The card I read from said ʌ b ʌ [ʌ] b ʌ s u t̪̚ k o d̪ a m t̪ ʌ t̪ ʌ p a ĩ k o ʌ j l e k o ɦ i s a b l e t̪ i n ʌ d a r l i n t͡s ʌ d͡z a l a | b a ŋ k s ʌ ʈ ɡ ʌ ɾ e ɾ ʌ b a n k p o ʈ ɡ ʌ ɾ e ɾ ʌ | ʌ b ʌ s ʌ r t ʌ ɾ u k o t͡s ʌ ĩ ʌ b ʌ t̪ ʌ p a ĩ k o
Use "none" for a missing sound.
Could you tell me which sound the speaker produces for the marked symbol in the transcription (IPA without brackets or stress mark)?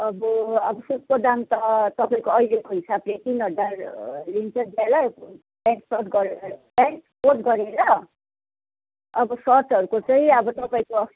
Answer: ʌ